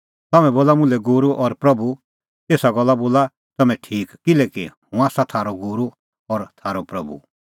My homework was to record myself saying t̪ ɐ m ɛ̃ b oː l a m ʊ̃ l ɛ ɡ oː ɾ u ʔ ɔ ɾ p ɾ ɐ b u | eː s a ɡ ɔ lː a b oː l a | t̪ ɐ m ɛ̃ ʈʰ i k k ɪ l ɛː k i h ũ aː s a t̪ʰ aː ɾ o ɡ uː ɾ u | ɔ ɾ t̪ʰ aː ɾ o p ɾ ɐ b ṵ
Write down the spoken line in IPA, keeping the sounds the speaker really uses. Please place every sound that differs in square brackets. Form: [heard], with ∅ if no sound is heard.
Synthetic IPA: t̪ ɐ m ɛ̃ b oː l a m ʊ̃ l ɛ ɡ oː ɾ u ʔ ɔ ɾ p ɾ ɐ b u | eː s a ɡ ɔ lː a b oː l a | t̪ ɐ m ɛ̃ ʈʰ [iː] k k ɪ l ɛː k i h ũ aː s a t̪ʰ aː ɾ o ɡ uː ɾ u | ɔ ɾ t̪ʰ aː ɾ o p ɾ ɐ b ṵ

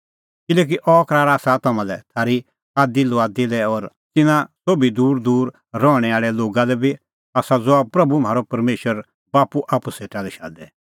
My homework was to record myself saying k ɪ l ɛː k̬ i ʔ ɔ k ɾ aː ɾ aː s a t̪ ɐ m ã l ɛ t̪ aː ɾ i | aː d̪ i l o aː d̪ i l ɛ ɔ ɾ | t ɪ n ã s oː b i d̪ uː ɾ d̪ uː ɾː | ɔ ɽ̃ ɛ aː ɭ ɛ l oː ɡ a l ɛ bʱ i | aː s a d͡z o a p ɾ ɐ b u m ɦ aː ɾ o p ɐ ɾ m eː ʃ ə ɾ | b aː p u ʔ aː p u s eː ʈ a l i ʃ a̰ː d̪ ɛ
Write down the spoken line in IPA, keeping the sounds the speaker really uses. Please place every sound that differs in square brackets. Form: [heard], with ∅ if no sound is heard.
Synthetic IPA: k ɪ l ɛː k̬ i ʔ ɔ k ɾ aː ɾ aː s a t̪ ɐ m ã l ɛ [t̪ʰ] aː ɾ i | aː d̪ i l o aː d̪ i l ɛ ɔ ɾ | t ɪ n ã s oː b i d̪ uː ɾ d̪ uː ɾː | ɔ ɽ̃ ɛ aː ɭ ɛ l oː ɡ a l ɛ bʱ i | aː s a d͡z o a p ɾ ɐ b u m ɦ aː ɾ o p ɐ ɾ m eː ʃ ə ɾ | b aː p u ʔ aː p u s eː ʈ a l [ɛ] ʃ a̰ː d̪ ɛ

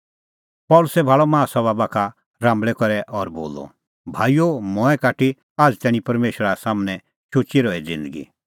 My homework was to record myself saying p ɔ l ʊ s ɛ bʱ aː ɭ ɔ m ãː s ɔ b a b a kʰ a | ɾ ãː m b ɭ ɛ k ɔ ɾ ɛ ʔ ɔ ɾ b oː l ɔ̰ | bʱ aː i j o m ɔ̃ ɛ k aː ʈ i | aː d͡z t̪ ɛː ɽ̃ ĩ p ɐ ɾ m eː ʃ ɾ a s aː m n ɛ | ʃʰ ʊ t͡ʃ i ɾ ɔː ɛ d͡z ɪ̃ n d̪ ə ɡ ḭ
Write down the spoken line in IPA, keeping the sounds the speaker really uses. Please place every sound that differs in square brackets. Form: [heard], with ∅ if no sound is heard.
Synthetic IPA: p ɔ l ʊ s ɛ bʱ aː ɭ ɔ m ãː s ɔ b a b a kʰ a | ɾ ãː m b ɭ ɛ k ɔ ɾ ɛ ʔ ɔ ɾ b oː l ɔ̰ | bʱ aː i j o m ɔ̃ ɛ k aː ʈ i | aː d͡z t̪ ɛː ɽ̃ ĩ p ɐ ɾ m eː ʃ ɾ a s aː m n ɛ | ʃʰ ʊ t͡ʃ i ɾ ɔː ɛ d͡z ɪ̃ n d̪ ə ɡ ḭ

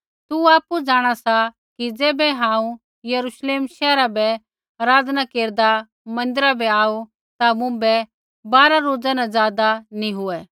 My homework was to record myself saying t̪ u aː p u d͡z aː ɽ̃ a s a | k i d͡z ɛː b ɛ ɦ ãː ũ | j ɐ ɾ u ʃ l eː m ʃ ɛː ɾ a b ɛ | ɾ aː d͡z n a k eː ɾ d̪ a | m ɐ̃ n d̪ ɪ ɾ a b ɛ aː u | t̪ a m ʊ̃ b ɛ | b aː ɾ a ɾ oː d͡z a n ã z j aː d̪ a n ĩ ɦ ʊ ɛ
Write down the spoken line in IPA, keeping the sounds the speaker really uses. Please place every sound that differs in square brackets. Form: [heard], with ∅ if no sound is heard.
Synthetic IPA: t̪ u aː p u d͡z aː ɽ̃ a s a | k i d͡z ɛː b ɛ ɦ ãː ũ | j ɐ ɾ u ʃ l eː m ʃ ɛː ɾ a b ɛ | ɾ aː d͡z n a k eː ɾ d̪ a | m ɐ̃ n d̪ ɪ ɾ a b ɛ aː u | t̪ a m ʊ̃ b ɛ | b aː ɾ a ɾ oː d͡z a n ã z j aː d̪ a n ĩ ɦ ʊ ɛ

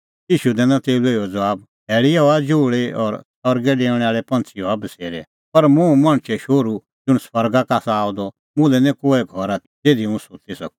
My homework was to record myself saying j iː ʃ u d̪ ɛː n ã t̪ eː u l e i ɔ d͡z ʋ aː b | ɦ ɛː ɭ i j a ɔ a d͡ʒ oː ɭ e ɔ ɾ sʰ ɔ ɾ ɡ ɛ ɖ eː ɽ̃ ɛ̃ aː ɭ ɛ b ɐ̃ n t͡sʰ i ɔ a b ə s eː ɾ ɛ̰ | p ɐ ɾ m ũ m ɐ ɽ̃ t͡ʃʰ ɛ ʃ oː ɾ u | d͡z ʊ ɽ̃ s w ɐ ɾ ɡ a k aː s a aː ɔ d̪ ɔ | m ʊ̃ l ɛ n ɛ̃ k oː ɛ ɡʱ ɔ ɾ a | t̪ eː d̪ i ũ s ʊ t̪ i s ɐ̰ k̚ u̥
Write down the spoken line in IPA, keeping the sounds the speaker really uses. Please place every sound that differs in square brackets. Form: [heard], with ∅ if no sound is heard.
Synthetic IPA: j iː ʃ u d̪ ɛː n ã t̪ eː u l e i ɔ d͡z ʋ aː b | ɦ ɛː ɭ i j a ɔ a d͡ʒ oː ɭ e ɔ ɾ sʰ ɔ ɾ ɡ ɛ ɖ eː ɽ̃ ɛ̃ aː ɭ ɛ [p] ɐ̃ n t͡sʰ i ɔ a b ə s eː ɾ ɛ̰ | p ɐ ɾ m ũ m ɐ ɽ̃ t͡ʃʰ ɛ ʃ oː ɾ u | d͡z ʊ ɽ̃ s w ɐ ɾ ɡ a k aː s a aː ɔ d̪ ɔ | m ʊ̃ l ɛ n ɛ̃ k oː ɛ ɡʱ ɔ ɾ a | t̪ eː d̪ i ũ s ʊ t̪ i s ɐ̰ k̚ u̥

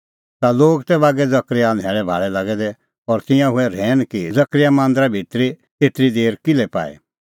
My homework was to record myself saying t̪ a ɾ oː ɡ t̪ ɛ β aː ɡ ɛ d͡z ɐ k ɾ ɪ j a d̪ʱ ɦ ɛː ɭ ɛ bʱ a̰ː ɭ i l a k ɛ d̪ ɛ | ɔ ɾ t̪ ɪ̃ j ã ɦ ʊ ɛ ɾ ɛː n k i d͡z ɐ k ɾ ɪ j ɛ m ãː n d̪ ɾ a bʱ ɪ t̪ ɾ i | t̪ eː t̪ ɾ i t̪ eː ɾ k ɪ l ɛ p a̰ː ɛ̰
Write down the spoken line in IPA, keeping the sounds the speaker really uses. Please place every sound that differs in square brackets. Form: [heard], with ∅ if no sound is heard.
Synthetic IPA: t̪ a [l] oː ɡ t̪ ɛ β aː ɡ ɛ d͡z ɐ k ɾ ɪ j a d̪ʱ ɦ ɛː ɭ ɛ bʱ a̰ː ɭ [ɛ] l a [ɡ] ɛ d̪ ɛ | ɔ ɾ t̪ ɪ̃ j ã ɦ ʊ ɛ ɾ ɛː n k i d͡z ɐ k ɾ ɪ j [a] m ãː n d̪ ɾ a bʱ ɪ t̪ ɾ i | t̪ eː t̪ ɾ i [d̪] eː ɾ k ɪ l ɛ p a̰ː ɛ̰

